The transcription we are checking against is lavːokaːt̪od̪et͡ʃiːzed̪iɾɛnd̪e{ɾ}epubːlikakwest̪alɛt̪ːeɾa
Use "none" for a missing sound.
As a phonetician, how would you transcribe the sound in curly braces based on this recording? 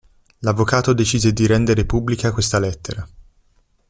ɾ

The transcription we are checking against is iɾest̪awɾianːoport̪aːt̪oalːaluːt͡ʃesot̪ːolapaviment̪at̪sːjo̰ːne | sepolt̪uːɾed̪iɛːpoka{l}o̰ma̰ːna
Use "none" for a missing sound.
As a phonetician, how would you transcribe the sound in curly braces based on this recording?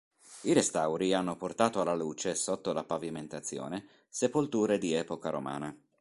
ɾ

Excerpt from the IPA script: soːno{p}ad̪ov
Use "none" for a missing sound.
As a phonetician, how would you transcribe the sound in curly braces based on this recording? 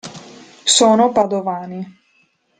p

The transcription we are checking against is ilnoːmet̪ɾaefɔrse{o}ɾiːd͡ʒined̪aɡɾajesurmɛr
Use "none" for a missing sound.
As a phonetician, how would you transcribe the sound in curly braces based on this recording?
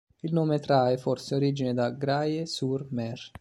o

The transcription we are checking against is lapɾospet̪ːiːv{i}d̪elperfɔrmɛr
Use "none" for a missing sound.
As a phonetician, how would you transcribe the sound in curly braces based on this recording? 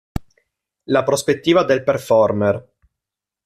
a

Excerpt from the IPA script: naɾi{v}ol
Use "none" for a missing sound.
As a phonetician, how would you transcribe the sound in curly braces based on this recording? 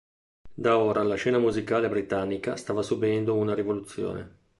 v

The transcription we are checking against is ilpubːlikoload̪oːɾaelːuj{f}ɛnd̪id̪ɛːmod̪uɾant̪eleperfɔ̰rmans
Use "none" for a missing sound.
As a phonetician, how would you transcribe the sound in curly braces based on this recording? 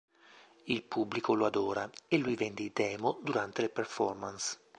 v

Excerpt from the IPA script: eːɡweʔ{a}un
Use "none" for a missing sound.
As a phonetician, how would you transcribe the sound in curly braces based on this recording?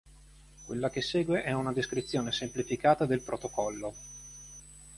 ɛ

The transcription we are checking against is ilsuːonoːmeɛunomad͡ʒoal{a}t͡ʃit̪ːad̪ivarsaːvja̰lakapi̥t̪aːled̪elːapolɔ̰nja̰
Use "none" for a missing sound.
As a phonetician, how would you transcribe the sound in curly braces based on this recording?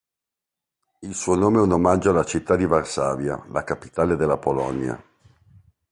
a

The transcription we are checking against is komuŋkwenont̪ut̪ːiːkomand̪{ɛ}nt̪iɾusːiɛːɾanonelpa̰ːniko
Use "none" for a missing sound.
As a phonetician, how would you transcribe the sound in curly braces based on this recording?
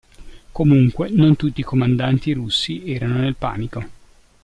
a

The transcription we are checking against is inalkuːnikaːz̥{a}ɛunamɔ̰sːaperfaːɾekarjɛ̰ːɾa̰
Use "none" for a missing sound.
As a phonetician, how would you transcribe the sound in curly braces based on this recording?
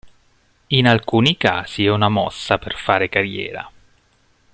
i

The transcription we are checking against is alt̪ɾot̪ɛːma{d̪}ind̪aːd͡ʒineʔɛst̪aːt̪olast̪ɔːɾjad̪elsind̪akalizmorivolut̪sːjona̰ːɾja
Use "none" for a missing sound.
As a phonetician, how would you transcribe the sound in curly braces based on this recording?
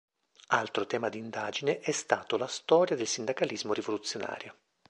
d̪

